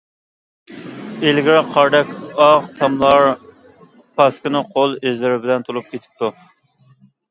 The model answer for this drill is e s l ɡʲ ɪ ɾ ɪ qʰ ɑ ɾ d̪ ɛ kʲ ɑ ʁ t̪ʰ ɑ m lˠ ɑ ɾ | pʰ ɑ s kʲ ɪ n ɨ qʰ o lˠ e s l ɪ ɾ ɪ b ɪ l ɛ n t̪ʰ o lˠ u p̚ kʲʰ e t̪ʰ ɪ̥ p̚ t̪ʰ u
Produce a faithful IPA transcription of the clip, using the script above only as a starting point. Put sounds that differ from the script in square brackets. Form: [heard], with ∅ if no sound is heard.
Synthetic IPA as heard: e [∅] l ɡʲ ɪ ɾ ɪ qʰ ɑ ɾ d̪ ɛ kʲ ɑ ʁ t̪ʰ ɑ m lˠ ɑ ɾ | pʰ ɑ s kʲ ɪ n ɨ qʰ o lˠ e [z] l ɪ ɾ ɪ b ɪ l ɛ n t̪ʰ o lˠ u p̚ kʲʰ e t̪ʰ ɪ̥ p̚ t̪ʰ u